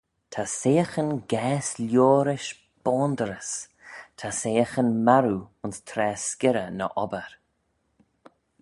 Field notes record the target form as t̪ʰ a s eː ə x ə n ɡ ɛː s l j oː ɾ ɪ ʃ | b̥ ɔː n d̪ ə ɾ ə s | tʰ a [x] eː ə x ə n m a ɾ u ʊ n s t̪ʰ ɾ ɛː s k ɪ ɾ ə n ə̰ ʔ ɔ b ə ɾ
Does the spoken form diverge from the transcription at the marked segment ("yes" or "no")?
yes